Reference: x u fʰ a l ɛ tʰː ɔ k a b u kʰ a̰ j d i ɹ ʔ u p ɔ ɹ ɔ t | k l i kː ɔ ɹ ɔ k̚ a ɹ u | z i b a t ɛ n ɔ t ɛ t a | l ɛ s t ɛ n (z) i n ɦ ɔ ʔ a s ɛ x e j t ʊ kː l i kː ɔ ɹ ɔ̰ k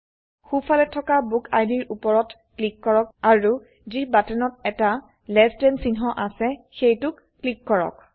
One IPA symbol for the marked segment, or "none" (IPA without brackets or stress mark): s